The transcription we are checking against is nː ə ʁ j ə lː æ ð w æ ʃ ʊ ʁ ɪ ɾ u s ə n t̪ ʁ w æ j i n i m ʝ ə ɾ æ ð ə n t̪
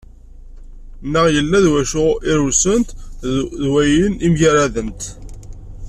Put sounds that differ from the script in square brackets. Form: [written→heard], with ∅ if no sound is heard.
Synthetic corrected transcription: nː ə ʁ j ə lː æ ð w æ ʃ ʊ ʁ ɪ ɾ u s ə n t̪ [ʁ→ð] w æ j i n i m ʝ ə ɾ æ ð ə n t̪